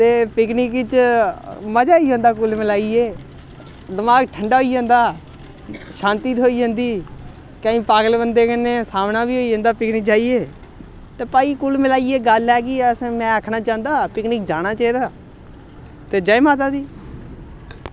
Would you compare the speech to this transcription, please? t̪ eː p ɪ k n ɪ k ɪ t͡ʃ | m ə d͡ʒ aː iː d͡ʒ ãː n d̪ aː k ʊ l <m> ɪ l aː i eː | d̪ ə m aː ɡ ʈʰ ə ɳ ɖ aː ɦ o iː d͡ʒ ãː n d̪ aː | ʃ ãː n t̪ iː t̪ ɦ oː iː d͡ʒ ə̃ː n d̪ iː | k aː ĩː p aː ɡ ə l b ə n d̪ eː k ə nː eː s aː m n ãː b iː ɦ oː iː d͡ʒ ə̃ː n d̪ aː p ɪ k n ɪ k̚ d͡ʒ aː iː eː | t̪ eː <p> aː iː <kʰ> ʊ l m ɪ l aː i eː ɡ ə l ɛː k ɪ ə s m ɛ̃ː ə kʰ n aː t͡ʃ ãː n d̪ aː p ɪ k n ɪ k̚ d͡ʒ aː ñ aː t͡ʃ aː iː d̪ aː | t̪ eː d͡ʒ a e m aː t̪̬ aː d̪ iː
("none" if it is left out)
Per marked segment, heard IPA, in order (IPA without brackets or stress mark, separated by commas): m, p, k